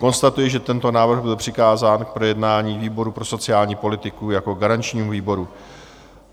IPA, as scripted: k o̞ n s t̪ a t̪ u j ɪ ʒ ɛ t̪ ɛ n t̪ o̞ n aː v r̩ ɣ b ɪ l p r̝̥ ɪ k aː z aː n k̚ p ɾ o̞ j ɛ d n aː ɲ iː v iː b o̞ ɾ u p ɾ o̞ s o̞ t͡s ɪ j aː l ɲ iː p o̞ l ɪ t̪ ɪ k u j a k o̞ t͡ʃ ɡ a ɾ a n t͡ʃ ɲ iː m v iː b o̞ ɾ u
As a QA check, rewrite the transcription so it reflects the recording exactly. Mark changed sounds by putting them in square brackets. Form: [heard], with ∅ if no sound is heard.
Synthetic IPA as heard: k o̞ n s t̪ a t̪ u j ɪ ʒ ɛ t̪ ɛ n t̪ o̞ n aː v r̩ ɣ b ɪ l p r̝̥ ɪ k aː z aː n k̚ p ɾ o̞ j ɛ d n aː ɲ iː v iː b o̞ ɾ u p ɾ o̞ s o̞ t͡s ɪ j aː l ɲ iː p o̞ l ɪ t̪ ɪ k u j a k o̞ [∅] ɡ a ɾ a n t͡ʃ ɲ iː m v iː b o̞ ɾ u